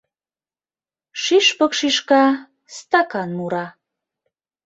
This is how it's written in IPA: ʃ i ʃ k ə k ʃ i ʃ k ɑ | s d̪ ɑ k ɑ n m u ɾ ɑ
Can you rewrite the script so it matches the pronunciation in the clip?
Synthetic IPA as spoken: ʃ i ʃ p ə k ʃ i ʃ k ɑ | s t̪ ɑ k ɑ n m u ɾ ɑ